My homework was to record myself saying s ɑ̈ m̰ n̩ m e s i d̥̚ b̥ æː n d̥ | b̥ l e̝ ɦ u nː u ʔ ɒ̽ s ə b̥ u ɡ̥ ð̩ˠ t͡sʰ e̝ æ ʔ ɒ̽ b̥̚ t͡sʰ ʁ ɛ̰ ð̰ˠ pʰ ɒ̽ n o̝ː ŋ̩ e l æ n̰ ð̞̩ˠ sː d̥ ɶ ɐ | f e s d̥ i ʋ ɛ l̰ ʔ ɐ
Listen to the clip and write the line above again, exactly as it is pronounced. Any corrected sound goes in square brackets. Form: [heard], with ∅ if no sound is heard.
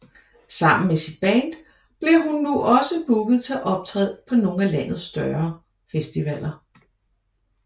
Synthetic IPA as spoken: s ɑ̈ m̰ n̩ m e s i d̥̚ b̥ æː n d̥ | b̥ l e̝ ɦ u nː u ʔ ɒ̽ s ə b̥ u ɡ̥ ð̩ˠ t͡sʰ e̝ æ ʔ ɒ̽ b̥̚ t͡sʰ ʁ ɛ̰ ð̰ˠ pʰ ɒ̽ n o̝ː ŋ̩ [æ] l æ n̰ ð̞̩ˠ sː d̥ ɶ ɐ | f e s d̥ i ʋ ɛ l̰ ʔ ɐ